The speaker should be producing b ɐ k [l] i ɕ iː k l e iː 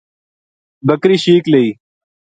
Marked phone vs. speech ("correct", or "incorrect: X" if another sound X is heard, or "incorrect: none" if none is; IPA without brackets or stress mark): incorrect: ɾ